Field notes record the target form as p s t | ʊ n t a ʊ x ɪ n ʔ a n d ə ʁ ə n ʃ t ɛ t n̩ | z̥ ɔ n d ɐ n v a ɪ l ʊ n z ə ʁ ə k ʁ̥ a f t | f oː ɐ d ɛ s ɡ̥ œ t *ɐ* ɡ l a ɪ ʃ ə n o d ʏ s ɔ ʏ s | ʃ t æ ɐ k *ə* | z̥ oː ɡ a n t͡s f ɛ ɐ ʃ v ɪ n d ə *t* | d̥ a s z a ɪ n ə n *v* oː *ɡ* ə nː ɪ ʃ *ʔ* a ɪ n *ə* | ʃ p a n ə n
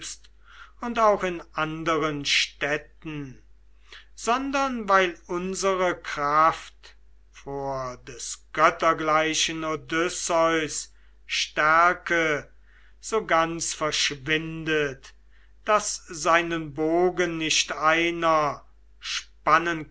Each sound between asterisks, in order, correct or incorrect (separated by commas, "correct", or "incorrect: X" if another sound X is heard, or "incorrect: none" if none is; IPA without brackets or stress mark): correct, correct, correct, incorrect: b, correct, incorrect: t, incorrect: ɐ